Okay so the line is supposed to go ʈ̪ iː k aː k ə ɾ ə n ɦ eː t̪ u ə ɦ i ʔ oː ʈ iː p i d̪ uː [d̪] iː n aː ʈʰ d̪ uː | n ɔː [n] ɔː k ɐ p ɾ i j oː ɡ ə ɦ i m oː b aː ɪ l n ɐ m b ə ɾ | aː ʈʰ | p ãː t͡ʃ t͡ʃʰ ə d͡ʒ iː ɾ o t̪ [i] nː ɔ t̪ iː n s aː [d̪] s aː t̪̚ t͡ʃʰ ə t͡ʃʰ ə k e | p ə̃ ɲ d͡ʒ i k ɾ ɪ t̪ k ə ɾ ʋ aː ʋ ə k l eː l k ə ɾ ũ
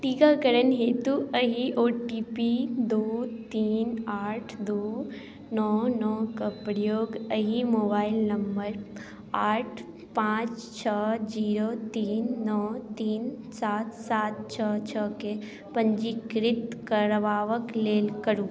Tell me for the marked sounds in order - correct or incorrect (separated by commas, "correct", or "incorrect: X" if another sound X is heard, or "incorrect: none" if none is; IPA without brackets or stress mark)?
incorrect: t̪, correct, incorrect: iː, incorrect: t̪